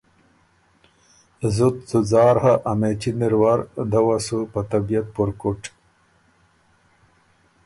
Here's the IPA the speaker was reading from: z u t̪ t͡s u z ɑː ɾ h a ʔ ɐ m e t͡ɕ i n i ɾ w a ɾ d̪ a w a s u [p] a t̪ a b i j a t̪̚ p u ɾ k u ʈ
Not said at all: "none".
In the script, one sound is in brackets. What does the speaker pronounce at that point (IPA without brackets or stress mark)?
p